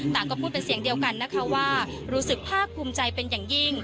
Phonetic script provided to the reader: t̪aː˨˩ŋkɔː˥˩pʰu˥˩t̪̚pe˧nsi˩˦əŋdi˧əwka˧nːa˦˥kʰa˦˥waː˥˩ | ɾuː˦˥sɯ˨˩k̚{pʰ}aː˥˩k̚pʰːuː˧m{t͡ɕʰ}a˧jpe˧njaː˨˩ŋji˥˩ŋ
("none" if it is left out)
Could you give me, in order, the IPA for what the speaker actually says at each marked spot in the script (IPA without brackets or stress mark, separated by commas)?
pʰ, t͡ɕ